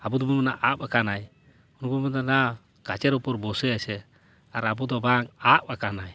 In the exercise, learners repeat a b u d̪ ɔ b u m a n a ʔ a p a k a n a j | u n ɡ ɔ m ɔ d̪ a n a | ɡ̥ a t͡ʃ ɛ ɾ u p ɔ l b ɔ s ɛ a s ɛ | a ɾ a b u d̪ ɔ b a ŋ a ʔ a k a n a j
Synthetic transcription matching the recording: a b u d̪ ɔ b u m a n a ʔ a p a k a n a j | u n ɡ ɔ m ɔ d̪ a n a | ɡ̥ a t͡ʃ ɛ ɾ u p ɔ ɾ b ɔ s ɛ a s ɛ | a ɾ a b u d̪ ɔ b a ŋ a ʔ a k a n a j